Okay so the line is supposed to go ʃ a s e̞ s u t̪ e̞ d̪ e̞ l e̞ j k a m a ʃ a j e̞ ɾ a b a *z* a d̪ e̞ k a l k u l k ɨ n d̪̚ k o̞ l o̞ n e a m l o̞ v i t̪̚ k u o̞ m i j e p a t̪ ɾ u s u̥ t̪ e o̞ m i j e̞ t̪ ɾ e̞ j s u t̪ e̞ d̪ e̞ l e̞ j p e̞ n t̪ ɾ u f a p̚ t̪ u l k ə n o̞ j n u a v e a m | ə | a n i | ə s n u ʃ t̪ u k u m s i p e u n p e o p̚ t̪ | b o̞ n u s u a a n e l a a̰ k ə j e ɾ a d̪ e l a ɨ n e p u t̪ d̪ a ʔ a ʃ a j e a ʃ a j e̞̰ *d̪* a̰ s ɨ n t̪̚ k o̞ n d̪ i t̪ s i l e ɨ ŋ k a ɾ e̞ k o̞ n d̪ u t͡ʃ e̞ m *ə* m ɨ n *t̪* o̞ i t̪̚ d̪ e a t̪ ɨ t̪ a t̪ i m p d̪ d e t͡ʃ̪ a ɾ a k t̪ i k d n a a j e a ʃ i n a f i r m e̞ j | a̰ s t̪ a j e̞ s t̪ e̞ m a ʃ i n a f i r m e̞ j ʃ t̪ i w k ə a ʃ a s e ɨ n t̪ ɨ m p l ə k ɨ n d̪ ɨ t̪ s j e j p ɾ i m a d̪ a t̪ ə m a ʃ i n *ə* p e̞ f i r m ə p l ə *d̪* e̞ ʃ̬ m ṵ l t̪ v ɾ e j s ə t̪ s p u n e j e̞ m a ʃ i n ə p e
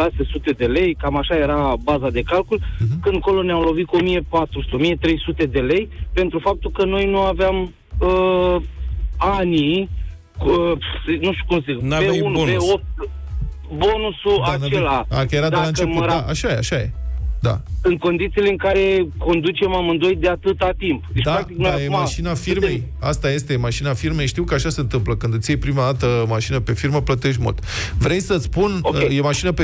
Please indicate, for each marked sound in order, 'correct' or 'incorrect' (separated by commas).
correct, correct, incorrect, incorrect, correct, incorrect